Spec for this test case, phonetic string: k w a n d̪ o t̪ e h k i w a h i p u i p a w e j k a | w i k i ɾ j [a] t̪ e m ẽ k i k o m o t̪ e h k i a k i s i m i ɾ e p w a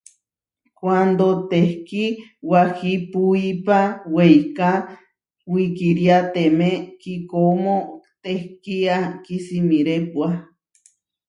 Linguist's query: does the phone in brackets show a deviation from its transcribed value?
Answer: no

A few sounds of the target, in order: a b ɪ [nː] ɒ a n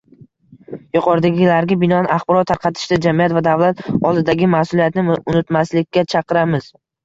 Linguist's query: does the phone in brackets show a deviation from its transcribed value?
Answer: yes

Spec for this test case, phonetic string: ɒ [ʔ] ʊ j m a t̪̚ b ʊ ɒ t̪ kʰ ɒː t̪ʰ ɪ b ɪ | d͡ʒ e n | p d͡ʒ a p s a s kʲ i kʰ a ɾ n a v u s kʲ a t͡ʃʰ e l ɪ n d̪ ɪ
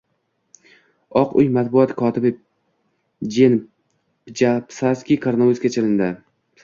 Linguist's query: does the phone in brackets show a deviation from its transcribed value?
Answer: yes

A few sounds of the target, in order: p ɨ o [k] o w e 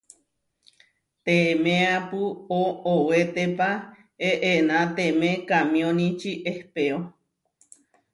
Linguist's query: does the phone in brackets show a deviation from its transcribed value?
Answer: yes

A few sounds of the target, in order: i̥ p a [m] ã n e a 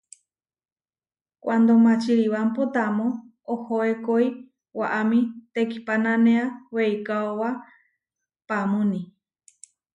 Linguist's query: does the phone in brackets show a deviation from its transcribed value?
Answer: yes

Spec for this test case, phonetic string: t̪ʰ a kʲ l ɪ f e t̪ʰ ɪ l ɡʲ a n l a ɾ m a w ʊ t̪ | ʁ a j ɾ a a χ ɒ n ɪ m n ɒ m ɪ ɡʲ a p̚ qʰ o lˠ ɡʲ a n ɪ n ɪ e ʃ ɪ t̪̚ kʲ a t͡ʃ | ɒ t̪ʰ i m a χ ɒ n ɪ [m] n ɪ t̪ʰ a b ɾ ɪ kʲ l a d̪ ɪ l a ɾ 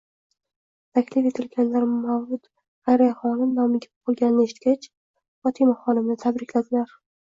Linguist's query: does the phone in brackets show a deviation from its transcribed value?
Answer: no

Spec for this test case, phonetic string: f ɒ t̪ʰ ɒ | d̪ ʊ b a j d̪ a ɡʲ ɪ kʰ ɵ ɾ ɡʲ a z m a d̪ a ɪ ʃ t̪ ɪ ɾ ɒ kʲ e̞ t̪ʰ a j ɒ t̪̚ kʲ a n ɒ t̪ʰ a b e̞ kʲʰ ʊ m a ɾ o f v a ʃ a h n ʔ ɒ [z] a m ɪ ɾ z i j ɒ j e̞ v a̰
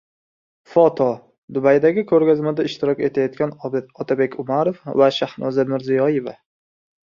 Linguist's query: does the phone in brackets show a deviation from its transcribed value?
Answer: no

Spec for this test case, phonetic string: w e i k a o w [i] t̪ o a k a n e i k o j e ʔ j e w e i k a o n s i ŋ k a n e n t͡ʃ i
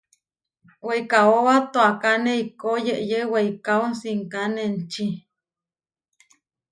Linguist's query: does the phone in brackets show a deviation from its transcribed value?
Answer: yes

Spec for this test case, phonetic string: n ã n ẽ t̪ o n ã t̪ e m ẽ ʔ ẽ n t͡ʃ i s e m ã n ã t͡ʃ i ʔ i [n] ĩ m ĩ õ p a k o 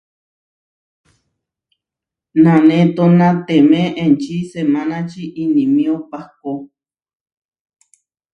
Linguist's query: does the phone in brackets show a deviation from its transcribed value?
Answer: no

